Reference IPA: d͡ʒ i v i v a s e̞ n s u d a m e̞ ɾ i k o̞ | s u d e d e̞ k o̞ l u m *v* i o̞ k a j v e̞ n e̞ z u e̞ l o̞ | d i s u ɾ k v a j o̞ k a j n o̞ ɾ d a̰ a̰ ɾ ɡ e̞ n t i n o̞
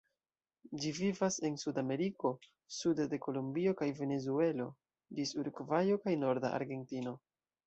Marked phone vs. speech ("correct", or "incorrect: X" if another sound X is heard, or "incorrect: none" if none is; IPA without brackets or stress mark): incorrect: b